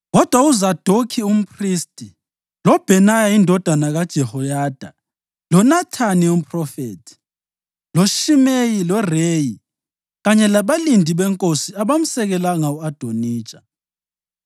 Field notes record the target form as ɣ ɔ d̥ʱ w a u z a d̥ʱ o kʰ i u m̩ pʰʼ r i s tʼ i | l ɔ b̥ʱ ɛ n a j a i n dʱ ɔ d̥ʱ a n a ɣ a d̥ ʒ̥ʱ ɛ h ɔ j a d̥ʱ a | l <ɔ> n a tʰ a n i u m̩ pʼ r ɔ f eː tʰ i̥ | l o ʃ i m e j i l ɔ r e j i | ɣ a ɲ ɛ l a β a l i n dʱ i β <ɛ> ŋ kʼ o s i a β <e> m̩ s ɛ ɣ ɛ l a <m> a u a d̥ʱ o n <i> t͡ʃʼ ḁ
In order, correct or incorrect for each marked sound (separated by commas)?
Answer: correct, correct, incorrect, incorrect, incorrect